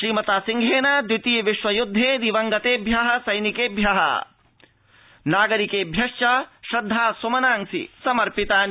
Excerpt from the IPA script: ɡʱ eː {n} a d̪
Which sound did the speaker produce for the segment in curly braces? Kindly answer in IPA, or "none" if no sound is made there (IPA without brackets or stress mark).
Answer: n